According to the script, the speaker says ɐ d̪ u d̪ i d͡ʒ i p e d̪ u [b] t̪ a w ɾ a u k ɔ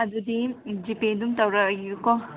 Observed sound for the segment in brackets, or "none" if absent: m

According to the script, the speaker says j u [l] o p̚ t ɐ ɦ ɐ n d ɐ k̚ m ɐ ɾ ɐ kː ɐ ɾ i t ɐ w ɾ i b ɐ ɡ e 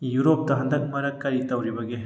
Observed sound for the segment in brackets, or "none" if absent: ɾ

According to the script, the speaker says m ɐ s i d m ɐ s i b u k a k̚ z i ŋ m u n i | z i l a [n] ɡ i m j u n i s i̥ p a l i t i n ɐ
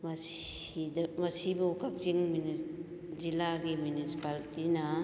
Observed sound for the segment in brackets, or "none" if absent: none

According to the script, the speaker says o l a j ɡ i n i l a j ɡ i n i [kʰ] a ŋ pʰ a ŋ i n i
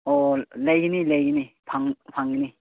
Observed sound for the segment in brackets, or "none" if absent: pʰ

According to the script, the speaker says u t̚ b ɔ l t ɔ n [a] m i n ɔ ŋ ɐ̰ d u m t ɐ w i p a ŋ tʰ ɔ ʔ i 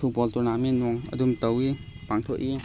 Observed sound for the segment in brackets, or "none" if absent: a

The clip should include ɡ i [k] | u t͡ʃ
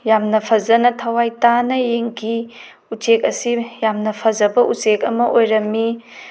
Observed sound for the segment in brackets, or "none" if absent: none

